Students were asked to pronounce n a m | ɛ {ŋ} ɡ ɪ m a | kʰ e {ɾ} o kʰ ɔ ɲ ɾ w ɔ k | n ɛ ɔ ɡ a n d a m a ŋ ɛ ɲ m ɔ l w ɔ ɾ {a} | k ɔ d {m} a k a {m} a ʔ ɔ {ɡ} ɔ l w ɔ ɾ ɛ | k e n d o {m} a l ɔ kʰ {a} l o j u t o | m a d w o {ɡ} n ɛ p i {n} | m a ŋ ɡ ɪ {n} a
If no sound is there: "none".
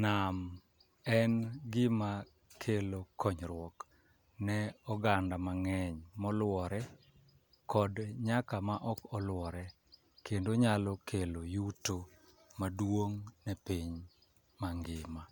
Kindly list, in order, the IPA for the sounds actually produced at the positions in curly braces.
n, l, ɛ, ɲ, m, k, ɲ, e, ŋ, ɲ, m

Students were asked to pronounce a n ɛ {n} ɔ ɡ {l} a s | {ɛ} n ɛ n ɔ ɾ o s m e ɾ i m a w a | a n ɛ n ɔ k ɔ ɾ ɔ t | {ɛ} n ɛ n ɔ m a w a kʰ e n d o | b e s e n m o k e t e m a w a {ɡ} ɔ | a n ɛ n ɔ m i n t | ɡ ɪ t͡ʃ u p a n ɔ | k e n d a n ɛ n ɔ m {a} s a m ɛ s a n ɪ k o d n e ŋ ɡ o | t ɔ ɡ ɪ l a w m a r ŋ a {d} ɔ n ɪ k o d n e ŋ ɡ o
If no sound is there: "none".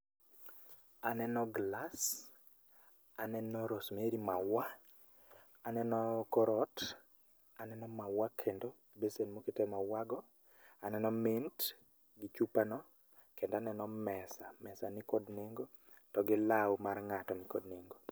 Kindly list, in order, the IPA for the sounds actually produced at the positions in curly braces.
n, l, a, a, ɡ, ɛ, t

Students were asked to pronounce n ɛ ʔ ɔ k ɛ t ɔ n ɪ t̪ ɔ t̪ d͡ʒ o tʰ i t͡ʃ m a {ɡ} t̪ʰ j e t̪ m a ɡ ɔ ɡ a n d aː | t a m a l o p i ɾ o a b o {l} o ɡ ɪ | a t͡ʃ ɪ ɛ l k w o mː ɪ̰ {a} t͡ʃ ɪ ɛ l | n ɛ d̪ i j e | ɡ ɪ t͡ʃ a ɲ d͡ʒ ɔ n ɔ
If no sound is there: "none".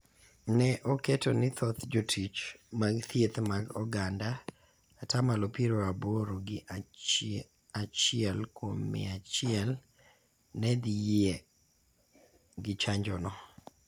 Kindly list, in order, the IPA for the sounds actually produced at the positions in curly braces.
ɡ, ɾ, a

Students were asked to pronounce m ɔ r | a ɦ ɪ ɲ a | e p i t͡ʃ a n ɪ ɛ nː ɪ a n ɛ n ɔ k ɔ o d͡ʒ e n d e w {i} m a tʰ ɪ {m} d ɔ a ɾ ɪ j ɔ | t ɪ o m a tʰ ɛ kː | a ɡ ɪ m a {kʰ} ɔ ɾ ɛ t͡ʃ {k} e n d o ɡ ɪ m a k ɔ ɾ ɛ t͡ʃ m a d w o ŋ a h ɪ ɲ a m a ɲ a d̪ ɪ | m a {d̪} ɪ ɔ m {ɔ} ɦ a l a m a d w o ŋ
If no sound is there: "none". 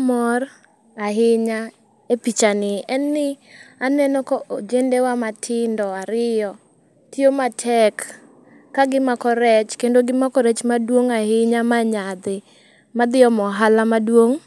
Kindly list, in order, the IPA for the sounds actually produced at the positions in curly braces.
a, n, k, k, d̪, ɔ

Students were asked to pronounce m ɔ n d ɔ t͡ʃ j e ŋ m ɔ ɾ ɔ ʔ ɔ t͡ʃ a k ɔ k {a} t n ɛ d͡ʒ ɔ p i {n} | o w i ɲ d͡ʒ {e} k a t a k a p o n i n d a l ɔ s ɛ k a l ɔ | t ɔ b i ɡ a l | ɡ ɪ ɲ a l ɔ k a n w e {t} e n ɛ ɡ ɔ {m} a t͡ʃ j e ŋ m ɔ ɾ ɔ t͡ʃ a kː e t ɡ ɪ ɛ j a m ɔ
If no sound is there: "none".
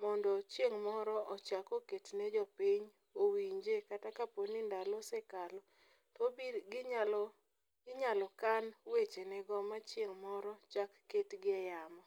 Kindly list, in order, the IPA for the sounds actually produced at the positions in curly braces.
e, ɲ, e, t͡ʃ, m

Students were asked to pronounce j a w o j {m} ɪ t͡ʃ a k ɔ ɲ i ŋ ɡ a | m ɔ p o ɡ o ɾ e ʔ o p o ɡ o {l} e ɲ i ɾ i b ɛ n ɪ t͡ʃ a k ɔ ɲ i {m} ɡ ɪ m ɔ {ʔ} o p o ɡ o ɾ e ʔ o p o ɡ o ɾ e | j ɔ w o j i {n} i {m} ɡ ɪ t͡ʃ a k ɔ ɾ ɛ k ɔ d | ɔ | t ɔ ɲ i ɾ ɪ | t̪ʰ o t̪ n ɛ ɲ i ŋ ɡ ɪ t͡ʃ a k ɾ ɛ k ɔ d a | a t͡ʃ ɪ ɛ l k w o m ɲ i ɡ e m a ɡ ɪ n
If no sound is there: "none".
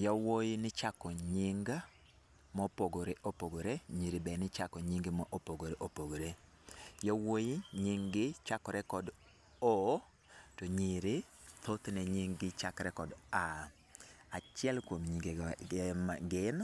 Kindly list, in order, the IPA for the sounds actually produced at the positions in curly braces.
n, ɾ, ŋ, ʔ, ɲ, ŋ

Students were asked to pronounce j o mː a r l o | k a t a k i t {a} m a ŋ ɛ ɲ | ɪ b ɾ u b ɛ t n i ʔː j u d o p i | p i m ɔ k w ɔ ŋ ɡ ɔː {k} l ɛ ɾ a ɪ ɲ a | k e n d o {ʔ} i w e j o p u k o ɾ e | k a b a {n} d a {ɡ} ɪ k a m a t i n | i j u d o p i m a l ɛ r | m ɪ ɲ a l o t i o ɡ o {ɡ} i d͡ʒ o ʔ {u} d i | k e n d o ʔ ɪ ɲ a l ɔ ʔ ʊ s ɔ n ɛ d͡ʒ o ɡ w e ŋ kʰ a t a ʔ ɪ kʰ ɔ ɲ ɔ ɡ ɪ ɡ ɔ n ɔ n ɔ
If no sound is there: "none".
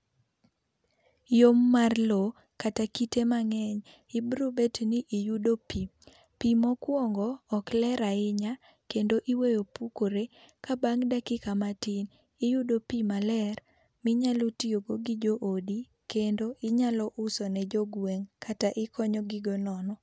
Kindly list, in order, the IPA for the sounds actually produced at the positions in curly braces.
e, k, ʔ, ŋ, k, ɡ, o

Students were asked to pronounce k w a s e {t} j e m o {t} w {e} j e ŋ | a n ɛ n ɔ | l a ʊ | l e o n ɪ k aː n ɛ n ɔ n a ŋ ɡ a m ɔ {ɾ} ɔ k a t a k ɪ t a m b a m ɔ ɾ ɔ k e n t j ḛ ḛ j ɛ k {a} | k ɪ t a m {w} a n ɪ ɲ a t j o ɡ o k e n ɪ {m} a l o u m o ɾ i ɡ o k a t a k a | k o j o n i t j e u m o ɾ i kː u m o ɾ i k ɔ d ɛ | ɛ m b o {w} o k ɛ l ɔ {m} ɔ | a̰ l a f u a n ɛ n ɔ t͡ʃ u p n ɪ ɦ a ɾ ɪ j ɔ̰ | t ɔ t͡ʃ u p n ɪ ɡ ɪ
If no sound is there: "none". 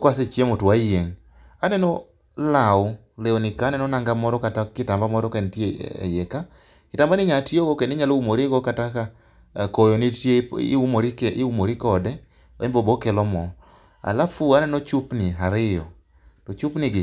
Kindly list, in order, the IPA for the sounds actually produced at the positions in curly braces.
t͡ʃ, t, a, ɾ, a, b, ɲ, b, m

